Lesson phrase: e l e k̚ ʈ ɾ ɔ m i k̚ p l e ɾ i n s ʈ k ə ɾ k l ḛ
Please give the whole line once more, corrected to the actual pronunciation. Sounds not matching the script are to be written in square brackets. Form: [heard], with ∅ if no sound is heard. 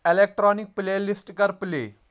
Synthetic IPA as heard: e l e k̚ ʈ ɾ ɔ [n] i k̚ p l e [l] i [∅] s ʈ k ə ɾ [p] l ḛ

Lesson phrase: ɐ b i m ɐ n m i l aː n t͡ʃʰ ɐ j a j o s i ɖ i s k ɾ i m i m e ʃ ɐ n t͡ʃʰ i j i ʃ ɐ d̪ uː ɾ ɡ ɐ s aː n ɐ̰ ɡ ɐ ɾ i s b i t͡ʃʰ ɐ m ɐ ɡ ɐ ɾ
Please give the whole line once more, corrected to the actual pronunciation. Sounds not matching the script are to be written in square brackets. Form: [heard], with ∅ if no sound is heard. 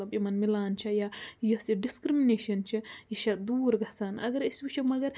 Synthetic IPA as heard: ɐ b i m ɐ n m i l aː n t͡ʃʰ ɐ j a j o s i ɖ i s k ɾ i m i [n] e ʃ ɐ n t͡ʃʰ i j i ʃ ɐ d̪ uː ɾ ɡ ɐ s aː n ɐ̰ ɡ ɐ ɾ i s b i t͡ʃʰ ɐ m ɐ ɡ ɐ ɾ

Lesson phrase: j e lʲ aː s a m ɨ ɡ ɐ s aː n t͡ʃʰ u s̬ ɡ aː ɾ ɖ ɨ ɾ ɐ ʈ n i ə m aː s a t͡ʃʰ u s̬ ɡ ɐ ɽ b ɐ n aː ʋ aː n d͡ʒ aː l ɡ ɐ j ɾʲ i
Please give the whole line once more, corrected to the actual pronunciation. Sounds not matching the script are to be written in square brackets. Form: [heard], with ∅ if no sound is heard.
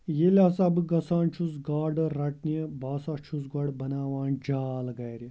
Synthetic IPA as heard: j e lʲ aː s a [b] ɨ ɡ ɐ s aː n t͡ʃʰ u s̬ ɡ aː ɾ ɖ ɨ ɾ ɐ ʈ n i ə [b] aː s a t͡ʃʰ u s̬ ɡ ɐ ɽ b ɐ n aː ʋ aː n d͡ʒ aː l ɡ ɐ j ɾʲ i

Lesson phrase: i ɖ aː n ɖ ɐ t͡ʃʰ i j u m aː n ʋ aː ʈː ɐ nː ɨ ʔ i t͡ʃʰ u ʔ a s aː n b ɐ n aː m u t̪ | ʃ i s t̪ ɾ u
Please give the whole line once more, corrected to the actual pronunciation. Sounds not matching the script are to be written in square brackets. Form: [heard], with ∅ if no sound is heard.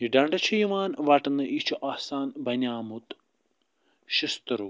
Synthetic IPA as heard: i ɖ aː [ɳ] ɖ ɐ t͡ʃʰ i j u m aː n ʋ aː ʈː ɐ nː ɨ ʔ i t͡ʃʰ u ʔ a s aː n b ɐ n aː m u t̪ | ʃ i s t̪ ɾ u

